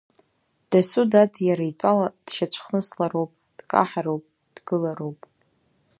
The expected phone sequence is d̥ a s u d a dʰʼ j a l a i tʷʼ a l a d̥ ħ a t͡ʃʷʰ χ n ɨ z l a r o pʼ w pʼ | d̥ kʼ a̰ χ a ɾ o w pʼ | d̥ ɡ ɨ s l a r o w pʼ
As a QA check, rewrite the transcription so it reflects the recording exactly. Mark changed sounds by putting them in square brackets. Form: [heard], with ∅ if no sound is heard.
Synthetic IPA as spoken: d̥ a s u d a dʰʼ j a [ɾ] a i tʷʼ a l a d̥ [ʃ] a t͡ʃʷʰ χ n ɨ [s] l a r o [∅] w pʼ | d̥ kʼ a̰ [ħ] a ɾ o w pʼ | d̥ ɡ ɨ [∅] l a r o w pʼ